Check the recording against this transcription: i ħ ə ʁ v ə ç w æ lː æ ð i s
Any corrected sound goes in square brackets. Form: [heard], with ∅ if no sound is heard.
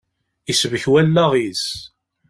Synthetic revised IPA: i [s] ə [∅] v ə ç w æ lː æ [ʁ] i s